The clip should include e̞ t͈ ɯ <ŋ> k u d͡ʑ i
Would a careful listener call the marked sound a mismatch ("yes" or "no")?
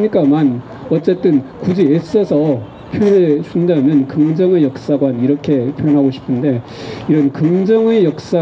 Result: yes